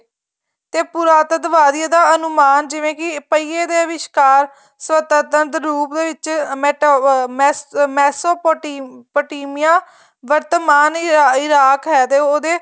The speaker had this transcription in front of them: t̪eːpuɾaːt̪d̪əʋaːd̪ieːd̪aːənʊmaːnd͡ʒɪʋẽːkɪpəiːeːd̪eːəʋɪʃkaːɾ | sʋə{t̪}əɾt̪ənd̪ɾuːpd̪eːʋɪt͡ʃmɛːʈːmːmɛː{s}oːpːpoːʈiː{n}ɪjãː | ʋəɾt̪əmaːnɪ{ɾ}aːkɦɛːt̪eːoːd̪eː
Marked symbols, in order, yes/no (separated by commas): yes, yes, no, yes